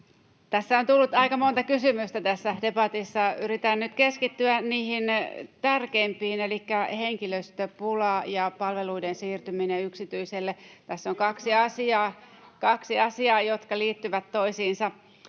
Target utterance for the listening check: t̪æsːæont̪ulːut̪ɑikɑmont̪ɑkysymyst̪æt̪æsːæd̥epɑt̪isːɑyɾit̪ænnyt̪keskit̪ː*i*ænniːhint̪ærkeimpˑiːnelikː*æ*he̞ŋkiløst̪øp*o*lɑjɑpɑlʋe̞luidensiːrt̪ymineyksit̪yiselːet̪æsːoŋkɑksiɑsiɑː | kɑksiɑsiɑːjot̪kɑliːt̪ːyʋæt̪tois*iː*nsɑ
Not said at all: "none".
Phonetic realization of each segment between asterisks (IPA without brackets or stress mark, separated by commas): y, æ, u, iː